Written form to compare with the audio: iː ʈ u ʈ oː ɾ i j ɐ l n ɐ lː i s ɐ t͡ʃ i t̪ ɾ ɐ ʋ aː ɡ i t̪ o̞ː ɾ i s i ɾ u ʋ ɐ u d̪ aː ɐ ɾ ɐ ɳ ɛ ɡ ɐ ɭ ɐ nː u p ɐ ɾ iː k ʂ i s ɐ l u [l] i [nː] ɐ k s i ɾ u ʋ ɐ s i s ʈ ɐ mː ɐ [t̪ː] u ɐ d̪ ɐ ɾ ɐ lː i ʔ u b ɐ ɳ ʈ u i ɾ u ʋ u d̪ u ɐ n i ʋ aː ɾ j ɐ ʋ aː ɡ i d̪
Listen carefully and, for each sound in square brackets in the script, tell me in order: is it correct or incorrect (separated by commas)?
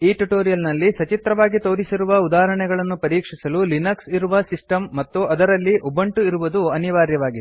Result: correct, incorrect, correct